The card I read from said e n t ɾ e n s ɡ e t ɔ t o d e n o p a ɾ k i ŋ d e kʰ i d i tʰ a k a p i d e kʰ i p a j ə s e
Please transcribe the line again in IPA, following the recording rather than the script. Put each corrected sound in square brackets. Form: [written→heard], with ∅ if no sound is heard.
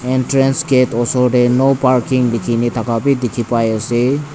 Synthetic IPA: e n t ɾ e n s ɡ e t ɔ [t→s] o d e n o p a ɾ k i ŋ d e kʰ i [d→n] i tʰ a k a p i d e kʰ i p a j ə s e